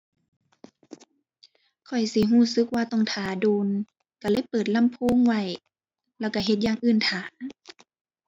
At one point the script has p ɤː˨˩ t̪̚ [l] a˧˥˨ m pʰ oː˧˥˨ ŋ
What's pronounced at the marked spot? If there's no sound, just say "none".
l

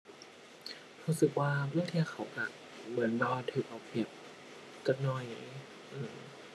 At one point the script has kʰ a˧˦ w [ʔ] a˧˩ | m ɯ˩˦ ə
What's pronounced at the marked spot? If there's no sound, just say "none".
k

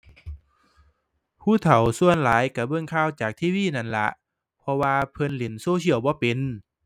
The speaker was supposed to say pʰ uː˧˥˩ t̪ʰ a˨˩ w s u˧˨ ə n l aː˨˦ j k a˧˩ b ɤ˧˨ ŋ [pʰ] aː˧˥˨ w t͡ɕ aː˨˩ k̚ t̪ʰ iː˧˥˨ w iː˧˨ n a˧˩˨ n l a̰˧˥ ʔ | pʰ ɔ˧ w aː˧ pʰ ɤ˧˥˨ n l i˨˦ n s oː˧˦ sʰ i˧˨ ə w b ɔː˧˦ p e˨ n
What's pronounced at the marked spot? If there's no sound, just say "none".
kʰ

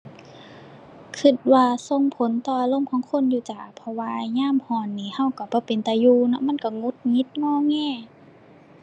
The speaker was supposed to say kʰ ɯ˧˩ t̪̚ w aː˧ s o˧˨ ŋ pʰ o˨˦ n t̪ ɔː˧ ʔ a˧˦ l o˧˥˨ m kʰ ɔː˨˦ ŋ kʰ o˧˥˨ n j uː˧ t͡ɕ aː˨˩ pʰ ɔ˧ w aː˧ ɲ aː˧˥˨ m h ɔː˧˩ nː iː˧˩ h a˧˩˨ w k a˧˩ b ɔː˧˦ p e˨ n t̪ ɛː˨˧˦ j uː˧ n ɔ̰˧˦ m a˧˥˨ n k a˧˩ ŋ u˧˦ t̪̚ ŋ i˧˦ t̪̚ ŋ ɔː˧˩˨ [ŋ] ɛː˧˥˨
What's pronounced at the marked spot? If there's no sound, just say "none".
ŋ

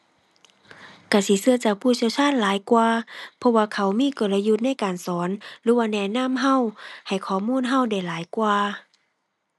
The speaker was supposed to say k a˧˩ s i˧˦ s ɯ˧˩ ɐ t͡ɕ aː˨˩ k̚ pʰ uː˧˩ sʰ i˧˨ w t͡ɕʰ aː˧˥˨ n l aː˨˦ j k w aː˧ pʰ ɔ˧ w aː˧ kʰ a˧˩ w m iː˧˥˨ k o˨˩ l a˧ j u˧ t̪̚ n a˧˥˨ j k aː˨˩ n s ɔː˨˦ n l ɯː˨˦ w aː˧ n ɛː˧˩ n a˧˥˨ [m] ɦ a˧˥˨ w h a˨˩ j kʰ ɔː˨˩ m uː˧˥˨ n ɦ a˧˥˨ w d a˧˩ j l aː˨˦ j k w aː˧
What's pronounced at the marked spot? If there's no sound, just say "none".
m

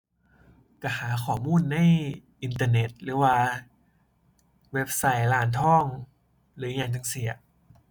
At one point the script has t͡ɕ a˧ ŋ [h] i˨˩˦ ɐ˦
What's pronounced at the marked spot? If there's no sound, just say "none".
s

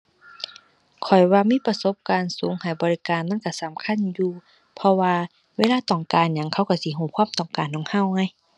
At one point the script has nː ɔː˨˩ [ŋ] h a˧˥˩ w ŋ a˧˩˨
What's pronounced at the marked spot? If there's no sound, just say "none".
ŋ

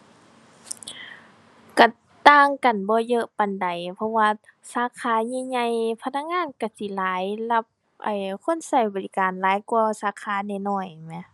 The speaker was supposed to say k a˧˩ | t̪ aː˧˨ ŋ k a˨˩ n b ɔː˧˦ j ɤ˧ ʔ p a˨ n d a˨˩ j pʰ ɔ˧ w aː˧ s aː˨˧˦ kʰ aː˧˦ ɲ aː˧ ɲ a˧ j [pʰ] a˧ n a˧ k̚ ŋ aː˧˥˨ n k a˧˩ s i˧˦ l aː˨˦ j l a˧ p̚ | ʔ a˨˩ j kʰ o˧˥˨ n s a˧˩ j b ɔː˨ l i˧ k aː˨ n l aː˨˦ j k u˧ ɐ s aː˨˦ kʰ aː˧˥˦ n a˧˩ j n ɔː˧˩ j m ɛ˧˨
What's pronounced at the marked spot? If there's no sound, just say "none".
pʰ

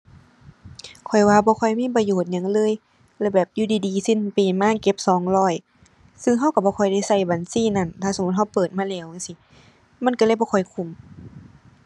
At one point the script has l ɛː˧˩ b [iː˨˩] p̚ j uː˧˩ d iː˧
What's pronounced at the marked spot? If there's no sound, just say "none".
ɛː˨˩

